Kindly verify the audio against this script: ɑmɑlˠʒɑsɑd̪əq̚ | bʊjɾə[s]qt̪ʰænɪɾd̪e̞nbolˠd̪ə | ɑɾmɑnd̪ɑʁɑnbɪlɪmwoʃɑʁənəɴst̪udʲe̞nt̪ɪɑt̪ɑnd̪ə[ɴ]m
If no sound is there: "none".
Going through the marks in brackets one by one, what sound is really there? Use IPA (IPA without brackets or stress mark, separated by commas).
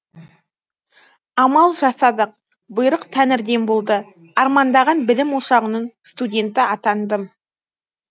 none, none